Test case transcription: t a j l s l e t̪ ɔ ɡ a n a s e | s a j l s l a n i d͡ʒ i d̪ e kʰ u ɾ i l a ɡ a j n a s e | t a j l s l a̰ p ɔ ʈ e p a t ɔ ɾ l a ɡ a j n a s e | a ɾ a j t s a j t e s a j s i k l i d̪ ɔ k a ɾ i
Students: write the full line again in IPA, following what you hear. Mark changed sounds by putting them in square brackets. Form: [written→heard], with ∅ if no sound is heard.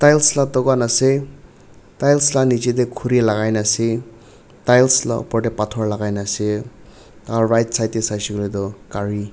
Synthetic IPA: t a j l s l [e→a] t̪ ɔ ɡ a n a s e | [s→t] a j l s l a n i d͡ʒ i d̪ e kʰ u ɾ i l a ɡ a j n a s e | t a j l s l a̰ p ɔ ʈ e p a [t→tʰ] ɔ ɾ l a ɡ a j n a s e | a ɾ a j t s a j t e s a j s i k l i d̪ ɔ k a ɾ i